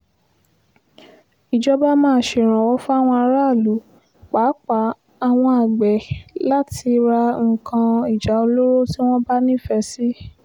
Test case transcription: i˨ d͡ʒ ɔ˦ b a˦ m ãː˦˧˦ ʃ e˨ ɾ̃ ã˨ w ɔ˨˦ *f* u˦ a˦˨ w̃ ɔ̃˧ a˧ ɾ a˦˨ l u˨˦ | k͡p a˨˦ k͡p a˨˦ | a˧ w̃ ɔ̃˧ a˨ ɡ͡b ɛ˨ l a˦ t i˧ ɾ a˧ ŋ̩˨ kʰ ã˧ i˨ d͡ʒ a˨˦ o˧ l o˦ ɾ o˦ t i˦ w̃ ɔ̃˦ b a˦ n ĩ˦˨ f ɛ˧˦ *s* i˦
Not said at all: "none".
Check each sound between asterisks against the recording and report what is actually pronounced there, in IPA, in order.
f, s

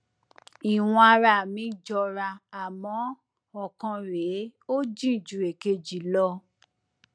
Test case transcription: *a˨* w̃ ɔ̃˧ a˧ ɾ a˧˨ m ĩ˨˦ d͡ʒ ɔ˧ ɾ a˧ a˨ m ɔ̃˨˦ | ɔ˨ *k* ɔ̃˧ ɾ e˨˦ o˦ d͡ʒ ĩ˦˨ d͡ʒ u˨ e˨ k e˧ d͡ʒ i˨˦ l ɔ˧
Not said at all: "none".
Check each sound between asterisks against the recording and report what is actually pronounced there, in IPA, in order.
i˨, k

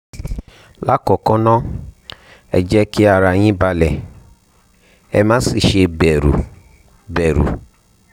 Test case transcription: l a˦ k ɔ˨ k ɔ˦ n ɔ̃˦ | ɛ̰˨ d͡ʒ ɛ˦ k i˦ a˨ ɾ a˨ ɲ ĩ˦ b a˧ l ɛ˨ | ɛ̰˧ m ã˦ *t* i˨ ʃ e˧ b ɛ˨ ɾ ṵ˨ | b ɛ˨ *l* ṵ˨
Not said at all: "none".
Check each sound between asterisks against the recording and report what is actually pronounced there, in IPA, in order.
s, ɾ

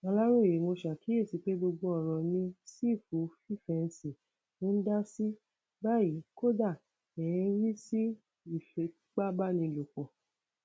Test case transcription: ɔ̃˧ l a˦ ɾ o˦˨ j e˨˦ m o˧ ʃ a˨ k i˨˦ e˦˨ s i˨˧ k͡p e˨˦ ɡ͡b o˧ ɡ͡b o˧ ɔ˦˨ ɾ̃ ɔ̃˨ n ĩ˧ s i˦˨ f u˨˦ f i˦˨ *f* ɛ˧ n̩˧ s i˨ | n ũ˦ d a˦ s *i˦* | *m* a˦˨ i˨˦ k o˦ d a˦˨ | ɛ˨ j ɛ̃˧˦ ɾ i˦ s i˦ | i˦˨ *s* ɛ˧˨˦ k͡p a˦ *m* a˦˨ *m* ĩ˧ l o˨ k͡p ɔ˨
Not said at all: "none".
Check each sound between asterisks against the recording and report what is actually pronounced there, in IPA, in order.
f, i˦, b, f, b, n

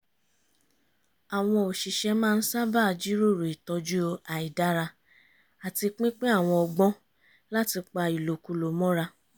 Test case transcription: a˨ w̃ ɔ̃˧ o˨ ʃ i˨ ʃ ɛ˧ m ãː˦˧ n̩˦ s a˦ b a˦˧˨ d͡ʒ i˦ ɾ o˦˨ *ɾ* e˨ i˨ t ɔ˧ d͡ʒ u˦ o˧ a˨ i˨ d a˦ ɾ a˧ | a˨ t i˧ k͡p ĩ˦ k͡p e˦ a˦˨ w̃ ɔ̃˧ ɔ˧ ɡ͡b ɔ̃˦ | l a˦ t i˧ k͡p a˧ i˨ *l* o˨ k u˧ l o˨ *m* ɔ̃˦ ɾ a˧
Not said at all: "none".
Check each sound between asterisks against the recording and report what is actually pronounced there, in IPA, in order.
ɾ, l, m

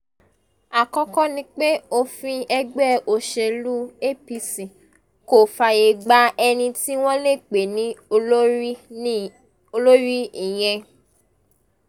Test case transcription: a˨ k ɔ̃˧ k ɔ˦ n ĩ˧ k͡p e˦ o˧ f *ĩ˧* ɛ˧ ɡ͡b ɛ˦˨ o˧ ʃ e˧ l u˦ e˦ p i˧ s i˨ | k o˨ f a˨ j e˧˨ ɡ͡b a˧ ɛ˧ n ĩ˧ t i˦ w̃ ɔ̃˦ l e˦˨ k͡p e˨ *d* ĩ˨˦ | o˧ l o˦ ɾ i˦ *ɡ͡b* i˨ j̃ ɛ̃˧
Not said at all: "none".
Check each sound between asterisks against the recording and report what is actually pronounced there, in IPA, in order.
ĩ˧, n, none

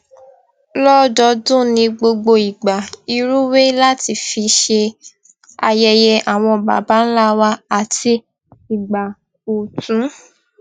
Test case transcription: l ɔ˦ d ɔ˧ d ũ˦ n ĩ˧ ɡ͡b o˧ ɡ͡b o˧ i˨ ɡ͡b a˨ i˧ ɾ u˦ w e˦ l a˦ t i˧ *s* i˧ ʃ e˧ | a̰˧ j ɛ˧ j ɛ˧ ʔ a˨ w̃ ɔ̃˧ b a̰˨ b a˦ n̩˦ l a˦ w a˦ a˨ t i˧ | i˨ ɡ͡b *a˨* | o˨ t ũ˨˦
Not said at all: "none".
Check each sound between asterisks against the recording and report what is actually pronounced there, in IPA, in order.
f, a˨

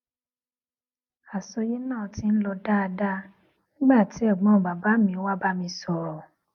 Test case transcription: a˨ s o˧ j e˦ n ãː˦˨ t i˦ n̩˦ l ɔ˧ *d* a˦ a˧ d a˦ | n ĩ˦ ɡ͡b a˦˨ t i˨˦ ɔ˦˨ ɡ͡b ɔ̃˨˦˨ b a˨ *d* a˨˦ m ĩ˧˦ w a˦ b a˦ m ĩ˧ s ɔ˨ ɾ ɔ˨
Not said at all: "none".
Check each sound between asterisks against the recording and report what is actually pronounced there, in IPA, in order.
d, b

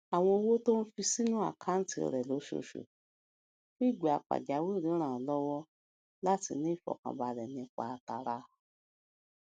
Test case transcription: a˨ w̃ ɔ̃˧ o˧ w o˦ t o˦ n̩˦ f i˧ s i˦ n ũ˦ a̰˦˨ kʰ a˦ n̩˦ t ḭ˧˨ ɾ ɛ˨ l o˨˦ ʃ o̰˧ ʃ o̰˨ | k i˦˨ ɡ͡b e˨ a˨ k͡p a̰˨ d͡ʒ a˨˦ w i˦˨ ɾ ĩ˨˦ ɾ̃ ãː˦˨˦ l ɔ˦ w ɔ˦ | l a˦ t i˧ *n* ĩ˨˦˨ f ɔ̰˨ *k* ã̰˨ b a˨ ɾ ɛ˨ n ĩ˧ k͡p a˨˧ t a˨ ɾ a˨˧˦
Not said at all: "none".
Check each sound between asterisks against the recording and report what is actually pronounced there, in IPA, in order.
n, k

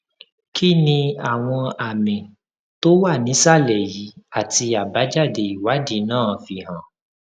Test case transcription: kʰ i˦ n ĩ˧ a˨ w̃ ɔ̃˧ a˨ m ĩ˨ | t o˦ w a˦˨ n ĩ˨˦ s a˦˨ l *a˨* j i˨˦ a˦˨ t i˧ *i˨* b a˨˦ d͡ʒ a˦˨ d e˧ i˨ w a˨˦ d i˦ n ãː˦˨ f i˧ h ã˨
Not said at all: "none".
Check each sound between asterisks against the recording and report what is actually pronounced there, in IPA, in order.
ɛ˨, a˨

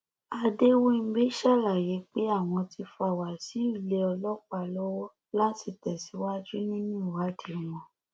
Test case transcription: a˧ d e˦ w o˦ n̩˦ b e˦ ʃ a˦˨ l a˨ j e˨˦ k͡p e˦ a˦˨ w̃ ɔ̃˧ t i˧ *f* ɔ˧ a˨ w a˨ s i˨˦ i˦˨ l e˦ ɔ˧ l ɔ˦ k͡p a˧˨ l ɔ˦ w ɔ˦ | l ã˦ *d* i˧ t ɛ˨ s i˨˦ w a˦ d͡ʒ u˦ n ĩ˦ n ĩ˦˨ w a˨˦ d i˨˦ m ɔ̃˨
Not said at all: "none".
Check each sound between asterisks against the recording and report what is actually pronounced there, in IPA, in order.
f, t

